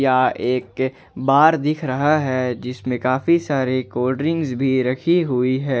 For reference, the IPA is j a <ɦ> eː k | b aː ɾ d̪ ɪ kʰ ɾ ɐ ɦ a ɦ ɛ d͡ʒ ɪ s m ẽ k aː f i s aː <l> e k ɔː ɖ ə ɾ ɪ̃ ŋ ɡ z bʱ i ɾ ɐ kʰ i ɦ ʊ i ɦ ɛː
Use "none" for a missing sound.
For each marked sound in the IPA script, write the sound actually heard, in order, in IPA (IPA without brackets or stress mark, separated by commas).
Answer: none, ɾ